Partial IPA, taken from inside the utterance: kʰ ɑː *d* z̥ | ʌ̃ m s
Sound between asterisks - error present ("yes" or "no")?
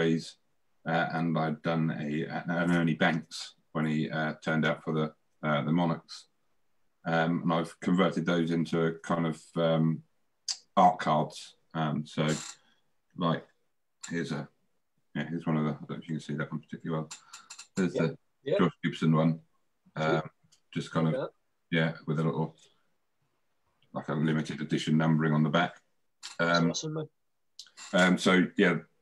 no